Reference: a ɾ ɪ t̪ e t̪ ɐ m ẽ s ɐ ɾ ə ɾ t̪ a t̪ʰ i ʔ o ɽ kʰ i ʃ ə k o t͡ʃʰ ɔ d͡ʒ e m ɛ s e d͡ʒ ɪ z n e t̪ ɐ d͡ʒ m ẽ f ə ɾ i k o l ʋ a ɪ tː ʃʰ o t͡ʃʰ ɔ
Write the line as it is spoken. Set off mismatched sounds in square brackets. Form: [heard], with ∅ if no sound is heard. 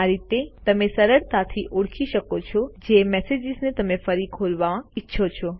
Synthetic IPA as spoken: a ɾ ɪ t̪ e t̪ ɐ m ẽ s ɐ ɾ ə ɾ t̪ a t̪ʰ i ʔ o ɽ kʰ i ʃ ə k o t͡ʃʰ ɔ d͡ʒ e m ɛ s e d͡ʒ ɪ z n e t̪ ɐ [∅] m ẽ f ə ɾ i [kʰ] o l ʋ a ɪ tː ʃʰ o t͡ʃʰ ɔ